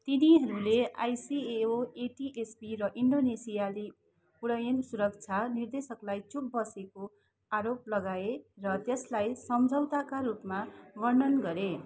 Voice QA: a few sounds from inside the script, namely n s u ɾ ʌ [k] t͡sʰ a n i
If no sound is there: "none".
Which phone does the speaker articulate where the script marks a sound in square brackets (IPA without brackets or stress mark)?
k